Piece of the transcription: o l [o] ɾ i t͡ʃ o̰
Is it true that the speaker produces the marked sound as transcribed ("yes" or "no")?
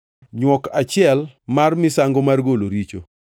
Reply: yes